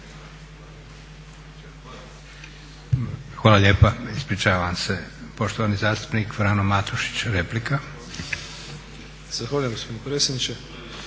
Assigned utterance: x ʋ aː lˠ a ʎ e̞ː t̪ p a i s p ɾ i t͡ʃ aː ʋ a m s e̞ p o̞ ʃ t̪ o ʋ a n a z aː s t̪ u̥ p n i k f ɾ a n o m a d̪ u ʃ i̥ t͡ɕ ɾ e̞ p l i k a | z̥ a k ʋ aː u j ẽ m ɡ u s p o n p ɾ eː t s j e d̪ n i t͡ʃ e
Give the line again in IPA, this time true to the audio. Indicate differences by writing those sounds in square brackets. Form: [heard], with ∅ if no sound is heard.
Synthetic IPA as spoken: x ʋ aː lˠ a ʎ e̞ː [∅] p a i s p ɾ i t͡ʃ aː ʋ a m s e̞ p o̞ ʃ t̪ o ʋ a n [i] z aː s t̪ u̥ p n i k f ɾ a n o m a [t̪] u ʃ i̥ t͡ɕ ɾ e̞ p l i k a | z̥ a [x] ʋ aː u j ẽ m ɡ [o] s p o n p ɾ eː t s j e d̪ n i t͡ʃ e